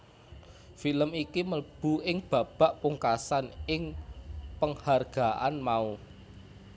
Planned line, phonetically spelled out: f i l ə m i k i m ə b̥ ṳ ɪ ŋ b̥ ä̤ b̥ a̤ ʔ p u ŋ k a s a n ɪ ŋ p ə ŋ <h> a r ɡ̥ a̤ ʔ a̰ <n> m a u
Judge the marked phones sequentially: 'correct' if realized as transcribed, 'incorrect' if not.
correct, correct

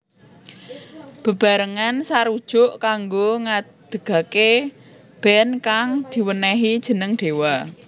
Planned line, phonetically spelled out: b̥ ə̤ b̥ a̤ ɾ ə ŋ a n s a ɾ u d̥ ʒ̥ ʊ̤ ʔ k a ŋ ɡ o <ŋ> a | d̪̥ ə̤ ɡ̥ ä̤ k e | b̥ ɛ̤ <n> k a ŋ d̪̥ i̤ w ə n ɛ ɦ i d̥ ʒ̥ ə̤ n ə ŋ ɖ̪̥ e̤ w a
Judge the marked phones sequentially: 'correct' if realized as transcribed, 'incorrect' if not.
correct, correct

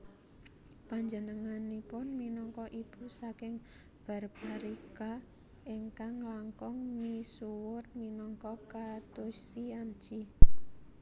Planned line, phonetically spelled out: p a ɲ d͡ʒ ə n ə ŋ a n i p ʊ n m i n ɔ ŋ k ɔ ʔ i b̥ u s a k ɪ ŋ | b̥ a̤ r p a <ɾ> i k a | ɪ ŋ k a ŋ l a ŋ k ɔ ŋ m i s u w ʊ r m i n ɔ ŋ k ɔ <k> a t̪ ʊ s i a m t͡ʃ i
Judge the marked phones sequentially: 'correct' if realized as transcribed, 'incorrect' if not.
correct, correct

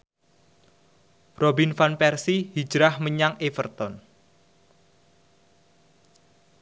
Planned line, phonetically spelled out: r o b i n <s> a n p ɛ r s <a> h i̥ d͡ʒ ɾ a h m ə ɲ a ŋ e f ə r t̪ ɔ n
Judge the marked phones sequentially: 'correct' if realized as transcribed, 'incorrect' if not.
incorrect: f, incorrect: i

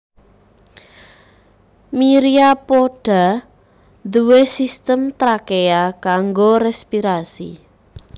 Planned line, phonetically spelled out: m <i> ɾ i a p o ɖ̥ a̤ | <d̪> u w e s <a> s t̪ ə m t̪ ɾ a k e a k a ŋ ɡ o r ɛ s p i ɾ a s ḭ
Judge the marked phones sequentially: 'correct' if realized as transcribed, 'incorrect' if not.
correct, correct, incorrect: i

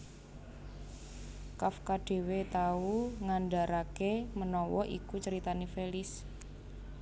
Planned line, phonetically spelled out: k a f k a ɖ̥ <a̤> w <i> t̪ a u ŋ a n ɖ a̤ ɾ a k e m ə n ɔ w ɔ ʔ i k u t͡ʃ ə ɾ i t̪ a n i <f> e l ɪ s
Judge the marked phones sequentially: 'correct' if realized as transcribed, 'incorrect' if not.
incorrect: e̤, incorrect: e, correct

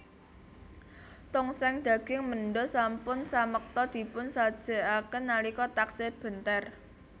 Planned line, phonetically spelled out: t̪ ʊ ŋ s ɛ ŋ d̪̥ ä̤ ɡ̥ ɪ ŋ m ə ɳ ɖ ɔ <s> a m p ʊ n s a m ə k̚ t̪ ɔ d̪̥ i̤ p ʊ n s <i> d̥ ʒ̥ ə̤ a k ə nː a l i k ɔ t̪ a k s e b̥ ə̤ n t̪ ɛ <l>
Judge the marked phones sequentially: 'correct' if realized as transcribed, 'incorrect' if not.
correct, incorrect: a, incorrect: r

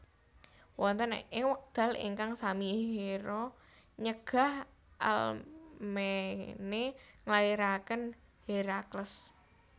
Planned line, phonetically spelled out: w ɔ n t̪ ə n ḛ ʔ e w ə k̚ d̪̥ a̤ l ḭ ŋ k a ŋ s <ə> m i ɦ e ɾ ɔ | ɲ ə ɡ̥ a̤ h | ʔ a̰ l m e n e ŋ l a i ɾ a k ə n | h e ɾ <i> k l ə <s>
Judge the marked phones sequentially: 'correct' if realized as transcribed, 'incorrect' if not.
incorrect: a, incorrect: a, correct

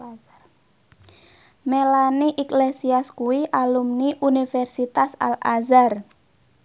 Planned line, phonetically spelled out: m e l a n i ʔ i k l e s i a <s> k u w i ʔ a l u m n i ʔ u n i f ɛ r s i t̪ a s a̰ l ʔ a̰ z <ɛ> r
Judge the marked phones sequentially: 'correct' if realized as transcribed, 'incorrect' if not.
correct, incorrect: a

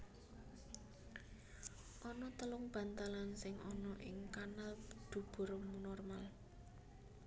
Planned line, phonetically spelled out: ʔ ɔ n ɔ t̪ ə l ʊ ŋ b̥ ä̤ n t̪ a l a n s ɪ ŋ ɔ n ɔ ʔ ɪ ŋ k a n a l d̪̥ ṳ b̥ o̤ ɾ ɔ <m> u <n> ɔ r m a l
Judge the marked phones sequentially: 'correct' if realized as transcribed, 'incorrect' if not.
correct, correct

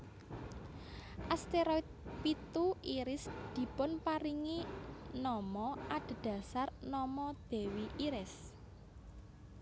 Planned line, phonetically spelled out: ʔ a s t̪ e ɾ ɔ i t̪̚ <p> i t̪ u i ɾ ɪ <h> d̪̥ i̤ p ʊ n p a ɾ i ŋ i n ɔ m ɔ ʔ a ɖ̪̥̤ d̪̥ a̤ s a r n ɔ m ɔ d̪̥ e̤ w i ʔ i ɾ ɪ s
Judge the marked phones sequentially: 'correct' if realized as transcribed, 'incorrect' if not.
correct, incorrect: s

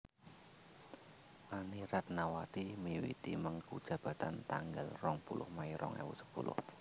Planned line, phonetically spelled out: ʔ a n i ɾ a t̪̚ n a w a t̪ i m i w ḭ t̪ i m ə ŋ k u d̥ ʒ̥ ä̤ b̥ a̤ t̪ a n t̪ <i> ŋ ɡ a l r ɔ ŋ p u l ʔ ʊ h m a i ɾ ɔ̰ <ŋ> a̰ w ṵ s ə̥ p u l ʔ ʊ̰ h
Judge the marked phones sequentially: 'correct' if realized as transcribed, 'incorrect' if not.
incorrect: a, correct

